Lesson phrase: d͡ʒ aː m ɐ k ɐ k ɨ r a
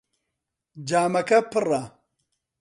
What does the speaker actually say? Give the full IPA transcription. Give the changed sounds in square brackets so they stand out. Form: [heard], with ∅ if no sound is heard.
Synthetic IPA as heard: d͡ʒ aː m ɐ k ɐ [p] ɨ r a